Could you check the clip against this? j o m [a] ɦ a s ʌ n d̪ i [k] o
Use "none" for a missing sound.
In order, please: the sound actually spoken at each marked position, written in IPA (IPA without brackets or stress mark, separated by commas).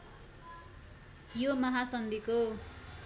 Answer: ʌ, k